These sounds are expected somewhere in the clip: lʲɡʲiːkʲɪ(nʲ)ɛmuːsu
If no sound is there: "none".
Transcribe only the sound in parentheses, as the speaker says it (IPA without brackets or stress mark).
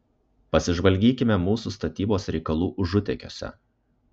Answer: mʲ